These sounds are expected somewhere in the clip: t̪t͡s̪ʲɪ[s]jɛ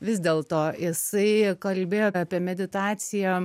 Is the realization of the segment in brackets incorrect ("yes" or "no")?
yes